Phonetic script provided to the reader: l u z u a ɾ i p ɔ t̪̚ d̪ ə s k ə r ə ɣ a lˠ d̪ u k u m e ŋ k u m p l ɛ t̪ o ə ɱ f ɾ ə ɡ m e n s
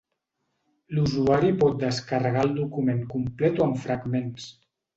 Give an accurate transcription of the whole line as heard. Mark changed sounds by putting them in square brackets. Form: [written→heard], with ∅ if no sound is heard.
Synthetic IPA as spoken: l u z u a ɾ i p ɔ t̪̚ d̪ ə s k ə r ə ɣ a lˠ d̪ u k u m e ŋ k u m p l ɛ t̪ o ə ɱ f ɾ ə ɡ m e n s